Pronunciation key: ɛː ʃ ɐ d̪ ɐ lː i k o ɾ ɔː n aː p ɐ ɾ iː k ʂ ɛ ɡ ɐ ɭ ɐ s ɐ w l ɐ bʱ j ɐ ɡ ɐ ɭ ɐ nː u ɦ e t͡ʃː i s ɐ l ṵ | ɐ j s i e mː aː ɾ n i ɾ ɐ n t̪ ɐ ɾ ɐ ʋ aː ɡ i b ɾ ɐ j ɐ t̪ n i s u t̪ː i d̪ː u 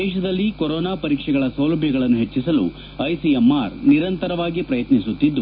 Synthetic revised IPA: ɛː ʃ ɐ d̪ ɐ lː i k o ɾ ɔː n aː p ɐ ɾ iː k ʂ ɛ ɡ ɐ ɭ ɐ s ɐ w l ɐ bʱ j ɐ ɡ ɐ ɭ ɐ nː u ɦ e t͡ʃː i s ɐ l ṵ | ɐ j s i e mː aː ɾ n i ɾ ɐ n t̪ ɐ ɾ ɐ ʋ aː ɡ i p ɾ ɐ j ɐ t̪ n i s u t̪ː i d̪ː u